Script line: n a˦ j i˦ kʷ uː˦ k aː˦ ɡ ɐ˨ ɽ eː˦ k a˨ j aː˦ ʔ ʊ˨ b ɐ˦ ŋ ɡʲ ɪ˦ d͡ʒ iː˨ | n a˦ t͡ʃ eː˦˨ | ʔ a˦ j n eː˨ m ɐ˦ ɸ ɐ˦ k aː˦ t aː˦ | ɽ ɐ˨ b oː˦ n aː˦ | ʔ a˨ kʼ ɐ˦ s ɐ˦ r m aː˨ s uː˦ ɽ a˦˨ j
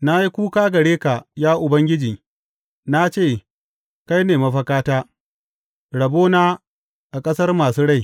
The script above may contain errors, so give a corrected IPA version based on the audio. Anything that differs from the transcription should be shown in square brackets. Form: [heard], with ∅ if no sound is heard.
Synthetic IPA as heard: n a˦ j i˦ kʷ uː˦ k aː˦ ɡ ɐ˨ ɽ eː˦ k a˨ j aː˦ ʔ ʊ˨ b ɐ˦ ŋ ɡʲ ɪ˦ d͡ʒ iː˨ | n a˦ t͡ʃ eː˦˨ | [k] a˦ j n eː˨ m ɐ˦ ɸ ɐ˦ k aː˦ t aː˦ | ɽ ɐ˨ b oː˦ n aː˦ | ʔ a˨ kʼ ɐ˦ s ɐ˦ r m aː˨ s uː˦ ɽ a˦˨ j

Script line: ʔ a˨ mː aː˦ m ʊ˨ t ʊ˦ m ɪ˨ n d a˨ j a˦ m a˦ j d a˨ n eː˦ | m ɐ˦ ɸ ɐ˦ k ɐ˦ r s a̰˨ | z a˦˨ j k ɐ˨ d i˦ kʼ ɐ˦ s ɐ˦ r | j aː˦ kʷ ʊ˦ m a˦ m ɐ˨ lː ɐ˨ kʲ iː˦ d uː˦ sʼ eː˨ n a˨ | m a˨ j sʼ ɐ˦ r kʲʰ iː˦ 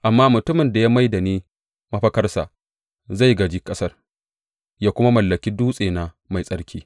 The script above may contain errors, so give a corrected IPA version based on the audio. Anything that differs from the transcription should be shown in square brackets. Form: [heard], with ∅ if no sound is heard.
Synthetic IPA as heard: ʔ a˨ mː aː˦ m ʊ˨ t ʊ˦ m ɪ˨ n d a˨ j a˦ m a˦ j d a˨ n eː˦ | m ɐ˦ ɸ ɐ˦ k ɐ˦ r s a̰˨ | z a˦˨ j [ɡ] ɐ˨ [d͡ʒ] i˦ kʼ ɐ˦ s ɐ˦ r | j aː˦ kʷ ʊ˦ m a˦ m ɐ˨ lː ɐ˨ kʲ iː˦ d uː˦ sʼ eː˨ n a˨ | m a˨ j sʼ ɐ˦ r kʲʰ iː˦

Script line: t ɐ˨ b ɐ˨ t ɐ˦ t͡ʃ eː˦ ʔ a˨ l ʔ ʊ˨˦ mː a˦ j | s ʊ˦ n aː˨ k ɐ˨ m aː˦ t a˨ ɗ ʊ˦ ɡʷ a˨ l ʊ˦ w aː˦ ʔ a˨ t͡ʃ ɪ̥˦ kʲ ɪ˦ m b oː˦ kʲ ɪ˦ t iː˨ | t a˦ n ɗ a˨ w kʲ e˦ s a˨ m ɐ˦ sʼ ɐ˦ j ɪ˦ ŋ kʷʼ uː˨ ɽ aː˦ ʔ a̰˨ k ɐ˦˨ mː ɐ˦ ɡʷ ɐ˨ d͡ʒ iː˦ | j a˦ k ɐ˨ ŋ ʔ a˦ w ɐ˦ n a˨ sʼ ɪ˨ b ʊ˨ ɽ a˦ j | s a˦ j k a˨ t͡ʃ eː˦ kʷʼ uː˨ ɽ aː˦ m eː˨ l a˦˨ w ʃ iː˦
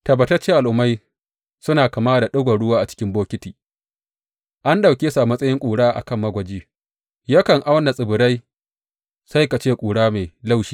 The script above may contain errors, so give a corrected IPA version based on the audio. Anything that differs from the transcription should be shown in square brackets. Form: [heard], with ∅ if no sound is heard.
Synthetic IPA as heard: t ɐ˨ b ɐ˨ t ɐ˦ t͡ʃ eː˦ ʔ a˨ l ʔ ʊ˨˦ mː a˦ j | s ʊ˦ n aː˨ k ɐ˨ m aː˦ [d] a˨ ɗ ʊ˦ ɡʷ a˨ [ɽ] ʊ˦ w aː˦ ʔ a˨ t͡ʃ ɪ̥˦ kʲ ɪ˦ m b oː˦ kʲ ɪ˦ t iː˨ | [ʔ] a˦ n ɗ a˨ w kʲ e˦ s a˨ m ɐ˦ sʼ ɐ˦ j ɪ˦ ŋ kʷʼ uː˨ ɽ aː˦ ʔ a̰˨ k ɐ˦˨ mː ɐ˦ ɡʷ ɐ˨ d͡ʒ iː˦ | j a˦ k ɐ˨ ŋ ʔ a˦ w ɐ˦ n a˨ sʼ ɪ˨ b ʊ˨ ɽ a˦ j | s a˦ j k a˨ t͡ʃ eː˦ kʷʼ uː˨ ɽ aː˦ m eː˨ l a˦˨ w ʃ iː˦

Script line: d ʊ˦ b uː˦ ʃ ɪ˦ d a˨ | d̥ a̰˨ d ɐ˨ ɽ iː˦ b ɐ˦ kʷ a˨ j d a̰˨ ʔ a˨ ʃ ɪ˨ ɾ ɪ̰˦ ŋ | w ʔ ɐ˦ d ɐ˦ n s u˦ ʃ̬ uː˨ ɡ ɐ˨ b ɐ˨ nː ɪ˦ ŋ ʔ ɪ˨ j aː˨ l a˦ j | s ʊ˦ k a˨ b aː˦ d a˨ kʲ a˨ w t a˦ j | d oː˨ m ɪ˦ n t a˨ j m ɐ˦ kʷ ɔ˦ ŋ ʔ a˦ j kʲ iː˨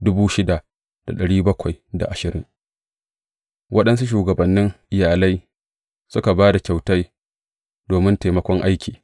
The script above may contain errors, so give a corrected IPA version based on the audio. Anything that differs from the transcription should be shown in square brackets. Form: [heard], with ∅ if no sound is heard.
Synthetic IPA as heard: d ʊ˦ b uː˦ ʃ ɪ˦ d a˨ | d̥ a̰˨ [ɗ] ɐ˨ ɽ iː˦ b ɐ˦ kʷ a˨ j d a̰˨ ʔ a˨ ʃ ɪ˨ ɾ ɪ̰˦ ŋ | w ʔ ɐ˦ [ɗ] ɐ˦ n s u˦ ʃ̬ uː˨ ɡ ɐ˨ b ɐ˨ nː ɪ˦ ŋ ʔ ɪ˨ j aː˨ l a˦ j | s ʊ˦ k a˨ b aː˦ d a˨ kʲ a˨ w t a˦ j | d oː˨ m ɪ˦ n t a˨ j m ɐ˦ kʷ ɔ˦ ŋ ʔ a˦ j kʲ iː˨

